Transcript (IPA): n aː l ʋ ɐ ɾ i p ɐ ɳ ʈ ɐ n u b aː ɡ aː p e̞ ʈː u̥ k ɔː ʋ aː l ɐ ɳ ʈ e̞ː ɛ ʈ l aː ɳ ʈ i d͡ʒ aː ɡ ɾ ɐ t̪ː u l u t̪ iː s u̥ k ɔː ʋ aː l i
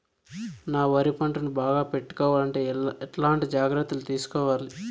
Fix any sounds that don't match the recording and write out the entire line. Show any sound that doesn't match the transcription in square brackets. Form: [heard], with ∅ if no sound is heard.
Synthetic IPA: n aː [∅] ʋ ɐ ɾ i p ɐ ɳ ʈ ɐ n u b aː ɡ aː p e̞ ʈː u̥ k ɔː ʋ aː l ɐ ɳ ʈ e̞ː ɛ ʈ l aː ɳ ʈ i d͡ʒ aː ɡ ɾ ɐ t̪ː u l u t̪ iː s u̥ k ɔː ʋ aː l i